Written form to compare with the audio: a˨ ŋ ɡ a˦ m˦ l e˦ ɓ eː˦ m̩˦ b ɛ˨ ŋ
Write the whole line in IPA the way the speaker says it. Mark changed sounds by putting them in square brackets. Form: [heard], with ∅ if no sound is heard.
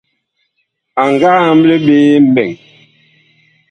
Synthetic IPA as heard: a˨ ŋ ɡ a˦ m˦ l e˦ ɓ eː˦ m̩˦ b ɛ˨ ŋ